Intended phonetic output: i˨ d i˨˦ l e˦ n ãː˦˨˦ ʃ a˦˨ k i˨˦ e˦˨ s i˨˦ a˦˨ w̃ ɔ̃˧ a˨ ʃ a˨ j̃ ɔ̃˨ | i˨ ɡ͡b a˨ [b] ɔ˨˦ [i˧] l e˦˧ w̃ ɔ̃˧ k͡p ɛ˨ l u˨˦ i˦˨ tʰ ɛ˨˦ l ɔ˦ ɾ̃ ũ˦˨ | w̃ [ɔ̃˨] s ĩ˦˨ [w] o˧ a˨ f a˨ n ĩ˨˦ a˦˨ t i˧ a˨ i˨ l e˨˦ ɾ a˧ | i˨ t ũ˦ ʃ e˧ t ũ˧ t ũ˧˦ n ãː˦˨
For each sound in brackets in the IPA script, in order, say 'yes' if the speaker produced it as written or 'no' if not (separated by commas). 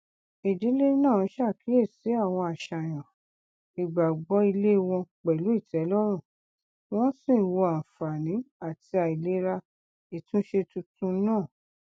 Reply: no, yes, no, yes